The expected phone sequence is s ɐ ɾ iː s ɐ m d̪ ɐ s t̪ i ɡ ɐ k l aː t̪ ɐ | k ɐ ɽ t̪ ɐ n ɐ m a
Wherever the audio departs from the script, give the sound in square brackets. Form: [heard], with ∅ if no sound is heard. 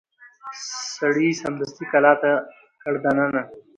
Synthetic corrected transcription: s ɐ [ɽ] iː s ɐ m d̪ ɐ s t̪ i [k] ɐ [∅] l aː t̪ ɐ | k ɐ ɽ [d̪] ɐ n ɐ [n] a